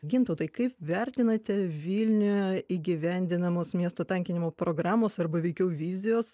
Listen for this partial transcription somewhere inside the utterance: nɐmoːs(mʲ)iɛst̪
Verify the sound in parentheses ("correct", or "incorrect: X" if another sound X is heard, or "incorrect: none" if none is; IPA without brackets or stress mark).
correct